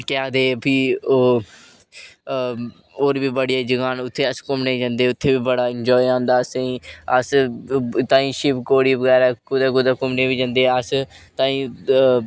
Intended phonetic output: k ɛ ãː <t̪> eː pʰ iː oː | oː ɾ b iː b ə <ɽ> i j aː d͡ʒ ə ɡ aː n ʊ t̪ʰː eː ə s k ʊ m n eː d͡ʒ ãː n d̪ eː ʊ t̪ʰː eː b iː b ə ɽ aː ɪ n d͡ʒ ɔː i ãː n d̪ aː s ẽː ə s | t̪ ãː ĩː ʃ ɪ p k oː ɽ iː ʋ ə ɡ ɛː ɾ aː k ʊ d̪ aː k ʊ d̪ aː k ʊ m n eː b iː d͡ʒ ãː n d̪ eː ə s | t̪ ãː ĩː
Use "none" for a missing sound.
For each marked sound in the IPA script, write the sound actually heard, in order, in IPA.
d̪, ɽ

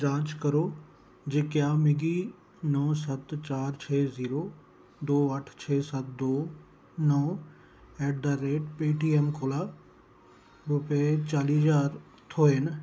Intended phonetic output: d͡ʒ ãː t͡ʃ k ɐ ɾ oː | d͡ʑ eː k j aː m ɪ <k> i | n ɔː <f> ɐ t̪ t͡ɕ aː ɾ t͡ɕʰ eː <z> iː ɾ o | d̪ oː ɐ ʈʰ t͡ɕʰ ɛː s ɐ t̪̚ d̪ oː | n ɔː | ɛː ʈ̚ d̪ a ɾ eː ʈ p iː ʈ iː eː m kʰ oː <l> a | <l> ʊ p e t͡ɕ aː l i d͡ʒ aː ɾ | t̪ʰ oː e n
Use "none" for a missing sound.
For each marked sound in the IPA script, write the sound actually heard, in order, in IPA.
ɡ, s, z, l, ɾ

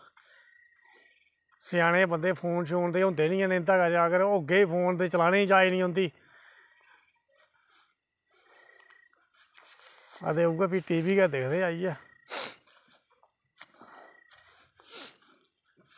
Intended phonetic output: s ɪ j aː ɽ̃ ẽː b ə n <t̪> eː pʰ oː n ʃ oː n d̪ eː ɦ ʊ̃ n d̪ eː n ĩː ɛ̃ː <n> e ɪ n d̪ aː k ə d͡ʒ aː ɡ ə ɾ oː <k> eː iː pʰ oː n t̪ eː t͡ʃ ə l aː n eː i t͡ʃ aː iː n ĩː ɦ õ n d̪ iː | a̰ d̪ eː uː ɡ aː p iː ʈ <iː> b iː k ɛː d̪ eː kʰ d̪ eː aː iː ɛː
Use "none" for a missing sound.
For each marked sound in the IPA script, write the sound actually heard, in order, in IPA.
d̪, n, ɡ, iː

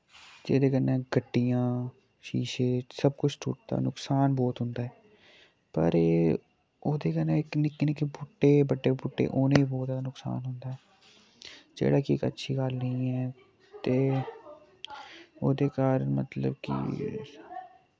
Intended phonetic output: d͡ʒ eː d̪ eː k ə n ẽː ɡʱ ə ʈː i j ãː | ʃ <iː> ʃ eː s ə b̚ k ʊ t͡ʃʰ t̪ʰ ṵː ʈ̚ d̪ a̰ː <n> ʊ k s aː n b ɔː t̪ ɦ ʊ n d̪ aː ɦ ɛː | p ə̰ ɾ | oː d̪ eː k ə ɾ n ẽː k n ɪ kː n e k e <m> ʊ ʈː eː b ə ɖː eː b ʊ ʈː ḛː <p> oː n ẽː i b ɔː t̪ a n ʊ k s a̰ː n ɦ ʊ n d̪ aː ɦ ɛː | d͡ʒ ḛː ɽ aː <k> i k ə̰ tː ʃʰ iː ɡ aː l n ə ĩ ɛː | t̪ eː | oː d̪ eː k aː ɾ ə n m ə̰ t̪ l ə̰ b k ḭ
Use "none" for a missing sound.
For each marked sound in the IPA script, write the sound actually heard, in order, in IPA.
iː, n, b, ʔ, k

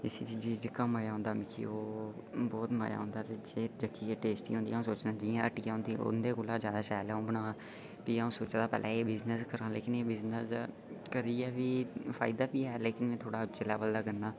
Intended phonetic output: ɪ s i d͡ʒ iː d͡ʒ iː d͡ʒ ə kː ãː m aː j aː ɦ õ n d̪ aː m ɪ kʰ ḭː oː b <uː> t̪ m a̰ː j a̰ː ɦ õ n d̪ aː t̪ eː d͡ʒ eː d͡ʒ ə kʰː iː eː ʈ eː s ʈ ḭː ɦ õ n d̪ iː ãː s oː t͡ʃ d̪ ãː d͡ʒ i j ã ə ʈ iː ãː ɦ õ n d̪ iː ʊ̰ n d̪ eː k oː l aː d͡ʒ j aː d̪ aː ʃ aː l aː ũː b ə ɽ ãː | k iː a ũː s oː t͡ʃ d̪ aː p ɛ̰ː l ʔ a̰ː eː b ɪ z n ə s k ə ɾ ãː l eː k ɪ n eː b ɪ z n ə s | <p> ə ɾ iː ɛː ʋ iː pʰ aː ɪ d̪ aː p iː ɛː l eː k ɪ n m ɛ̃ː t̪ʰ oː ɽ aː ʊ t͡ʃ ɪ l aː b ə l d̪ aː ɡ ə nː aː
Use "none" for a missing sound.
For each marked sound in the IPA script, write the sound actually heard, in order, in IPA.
ɔː, k

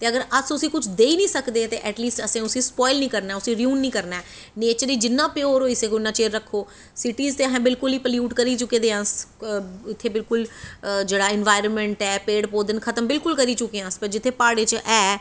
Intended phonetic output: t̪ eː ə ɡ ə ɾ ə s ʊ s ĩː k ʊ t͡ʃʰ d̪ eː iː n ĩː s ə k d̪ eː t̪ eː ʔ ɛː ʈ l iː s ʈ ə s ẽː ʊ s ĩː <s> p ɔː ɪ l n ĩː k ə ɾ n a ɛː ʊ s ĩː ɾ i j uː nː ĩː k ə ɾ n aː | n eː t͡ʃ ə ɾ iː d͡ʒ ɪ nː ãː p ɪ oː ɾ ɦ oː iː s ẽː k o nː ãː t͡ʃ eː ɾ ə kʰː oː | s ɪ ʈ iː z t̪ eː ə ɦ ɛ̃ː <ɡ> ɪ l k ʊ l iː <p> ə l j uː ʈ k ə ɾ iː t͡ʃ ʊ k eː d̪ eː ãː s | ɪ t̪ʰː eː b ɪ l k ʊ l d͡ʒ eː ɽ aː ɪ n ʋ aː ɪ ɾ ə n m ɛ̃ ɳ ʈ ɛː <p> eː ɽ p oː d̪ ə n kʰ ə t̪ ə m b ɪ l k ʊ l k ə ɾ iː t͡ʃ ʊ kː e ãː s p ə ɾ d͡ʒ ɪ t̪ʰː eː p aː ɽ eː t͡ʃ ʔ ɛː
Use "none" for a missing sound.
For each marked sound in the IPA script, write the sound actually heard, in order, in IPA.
s, b, p, p

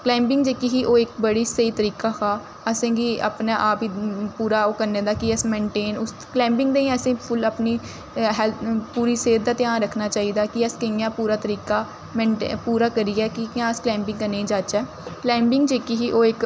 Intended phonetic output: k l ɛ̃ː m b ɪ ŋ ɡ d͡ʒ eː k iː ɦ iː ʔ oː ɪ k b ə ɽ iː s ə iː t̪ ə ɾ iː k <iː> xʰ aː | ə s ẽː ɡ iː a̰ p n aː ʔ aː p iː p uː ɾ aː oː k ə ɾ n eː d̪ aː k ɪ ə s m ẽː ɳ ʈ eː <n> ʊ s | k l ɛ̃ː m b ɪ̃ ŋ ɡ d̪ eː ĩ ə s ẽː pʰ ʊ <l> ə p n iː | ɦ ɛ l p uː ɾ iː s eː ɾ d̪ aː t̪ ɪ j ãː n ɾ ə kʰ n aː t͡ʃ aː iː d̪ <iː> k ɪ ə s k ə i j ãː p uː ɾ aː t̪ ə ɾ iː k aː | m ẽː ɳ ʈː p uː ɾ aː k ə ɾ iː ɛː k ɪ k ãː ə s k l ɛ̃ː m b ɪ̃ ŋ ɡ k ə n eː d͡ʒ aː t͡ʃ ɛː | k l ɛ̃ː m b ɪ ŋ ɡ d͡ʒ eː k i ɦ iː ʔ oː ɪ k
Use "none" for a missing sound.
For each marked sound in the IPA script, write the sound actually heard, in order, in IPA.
aː, n, l, aː

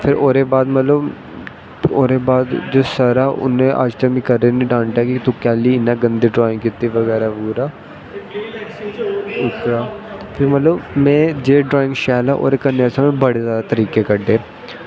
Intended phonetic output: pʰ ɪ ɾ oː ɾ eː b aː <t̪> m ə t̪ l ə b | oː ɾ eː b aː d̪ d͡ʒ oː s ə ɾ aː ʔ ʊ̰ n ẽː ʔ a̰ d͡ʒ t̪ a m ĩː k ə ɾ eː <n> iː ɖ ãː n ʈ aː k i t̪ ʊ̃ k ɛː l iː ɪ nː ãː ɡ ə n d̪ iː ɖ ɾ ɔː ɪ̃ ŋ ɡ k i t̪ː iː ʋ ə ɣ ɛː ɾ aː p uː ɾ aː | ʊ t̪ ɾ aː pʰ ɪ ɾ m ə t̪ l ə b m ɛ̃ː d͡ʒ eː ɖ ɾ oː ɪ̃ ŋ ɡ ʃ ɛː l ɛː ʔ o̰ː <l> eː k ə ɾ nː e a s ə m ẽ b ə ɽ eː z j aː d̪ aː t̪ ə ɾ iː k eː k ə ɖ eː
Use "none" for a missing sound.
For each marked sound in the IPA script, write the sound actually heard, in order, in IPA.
d̪, n, ɾ

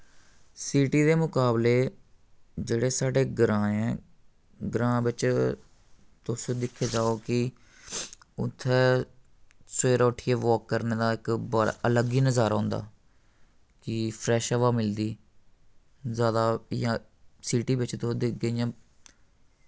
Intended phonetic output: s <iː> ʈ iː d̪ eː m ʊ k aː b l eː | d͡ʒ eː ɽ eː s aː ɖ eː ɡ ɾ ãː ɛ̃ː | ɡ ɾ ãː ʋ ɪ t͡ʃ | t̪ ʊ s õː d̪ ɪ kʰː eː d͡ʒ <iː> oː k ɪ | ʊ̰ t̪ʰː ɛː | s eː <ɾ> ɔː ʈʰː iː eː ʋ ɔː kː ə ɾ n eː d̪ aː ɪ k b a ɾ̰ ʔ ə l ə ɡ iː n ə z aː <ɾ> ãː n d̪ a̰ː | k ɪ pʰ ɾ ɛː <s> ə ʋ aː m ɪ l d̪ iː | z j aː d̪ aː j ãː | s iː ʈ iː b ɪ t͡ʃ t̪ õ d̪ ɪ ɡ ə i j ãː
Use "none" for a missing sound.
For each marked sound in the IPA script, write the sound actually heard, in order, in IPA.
iː, aː, ɾ, ɾ, ʃ

